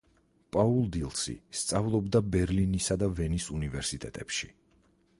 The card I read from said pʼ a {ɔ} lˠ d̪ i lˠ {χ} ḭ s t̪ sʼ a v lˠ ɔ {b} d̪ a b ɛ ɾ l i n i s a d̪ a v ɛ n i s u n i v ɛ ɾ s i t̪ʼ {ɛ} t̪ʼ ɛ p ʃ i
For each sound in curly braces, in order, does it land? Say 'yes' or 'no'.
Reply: no, no, yes, yes

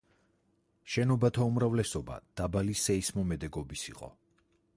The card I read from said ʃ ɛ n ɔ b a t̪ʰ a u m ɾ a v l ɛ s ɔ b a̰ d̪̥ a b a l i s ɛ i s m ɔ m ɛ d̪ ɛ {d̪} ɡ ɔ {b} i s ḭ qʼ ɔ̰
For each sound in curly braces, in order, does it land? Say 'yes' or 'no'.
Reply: no, yes

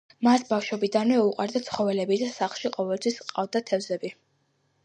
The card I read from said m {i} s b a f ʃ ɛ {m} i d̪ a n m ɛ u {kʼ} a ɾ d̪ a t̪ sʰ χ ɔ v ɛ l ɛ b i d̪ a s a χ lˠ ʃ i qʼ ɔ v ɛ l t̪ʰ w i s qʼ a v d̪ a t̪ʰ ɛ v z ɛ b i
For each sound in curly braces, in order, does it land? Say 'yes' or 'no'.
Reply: no, no, no

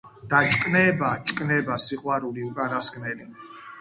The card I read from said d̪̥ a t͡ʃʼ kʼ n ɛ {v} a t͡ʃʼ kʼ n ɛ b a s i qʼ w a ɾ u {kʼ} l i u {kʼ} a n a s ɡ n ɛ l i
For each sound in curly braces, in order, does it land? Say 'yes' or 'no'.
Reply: no, no, yes

